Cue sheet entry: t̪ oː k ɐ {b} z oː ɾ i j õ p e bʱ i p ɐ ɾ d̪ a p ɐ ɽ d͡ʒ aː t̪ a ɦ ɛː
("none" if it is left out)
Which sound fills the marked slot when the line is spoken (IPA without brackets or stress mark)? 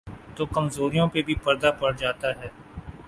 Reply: m